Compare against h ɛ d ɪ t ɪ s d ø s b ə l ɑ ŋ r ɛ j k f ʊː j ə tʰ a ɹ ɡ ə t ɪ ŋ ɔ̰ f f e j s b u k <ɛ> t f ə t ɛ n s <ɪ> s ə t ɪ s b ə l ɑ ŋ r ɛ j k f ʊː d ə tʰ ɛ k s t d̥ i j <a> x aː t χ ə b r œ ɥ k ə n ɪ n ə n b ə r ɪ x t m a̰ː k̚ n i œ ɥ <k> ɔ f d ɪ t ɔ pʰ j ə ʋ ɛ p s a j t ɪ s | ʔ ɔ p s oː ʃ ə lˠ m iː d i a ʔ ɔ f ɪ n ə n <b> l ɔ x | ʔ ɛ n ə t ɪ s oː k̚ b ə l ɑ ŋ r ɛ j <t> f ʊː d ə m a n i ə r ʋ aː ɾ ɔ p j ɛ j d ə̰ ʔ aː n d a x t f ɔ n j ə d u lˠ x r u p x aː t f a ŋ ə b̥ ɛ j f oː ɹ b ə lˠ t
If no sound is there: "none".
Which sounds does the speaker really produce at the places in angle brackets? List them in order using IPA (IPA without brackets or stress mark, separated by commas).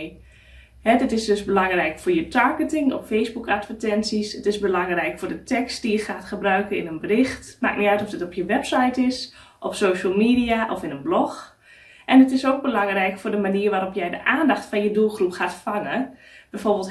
a, i, ə, t, b, k